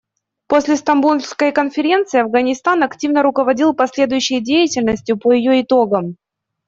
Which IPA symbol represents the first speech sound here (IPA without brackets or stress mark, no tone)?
p